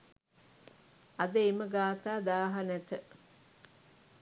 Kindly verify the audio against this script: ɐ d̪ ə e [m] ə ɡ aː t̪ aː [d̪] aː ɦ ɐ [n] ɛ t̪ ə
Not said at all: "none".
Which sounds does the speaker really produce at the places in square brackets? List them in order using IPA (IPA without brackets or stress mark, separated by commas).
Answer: m, d̪, n